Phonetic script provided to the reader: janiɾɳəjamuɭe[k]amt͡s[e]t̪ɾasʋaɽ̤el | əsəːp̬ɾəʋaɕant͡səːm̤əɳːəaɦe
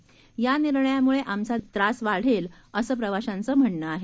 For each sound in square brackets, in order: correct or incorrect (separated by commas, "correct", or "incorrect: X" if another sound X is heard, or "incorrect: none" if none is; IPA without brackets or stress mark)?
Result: incorrect: ʔ, incorrect: a